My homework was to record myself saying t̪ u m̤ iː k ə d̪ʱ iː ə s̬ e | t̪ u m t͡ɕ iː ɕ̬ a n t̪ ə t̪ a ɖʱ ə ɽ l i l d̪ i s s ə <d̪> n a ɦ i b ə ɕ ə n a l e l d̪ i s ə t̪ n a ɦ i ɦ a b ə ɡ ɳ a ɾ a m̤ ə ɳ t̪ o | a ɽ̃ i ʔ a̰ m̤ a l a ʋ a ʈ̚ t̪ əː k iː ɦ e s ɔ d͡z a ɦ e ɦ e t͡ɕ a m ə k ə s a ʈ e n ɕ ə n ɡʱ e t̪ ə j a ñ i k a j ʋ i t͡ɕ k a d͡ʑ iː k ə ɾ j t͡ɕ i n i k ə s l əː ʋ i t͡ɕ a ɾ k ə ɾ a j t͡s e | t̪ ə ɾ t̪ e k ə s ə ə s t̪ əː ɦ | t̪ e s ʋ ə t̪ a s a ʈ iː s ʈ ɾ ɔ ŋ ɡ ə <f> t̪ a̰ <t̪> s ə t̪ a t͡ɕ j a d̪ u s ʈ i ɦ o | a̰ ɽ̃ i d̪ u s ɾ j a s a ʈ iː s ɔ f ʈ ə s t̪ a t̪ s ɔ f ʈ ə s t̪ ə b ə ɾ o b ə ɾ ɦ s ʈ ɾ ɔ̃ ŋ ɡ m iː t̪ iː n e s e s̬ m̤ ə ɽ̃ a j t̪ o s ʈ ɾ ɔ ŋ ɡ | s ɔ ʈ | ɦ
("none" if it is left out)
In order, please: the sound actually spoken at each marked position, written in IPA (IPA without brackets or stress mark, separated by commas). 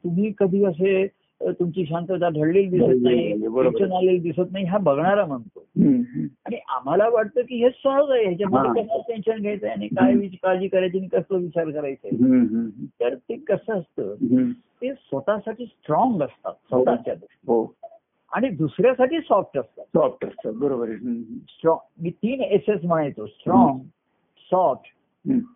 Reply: t̪, s, t̪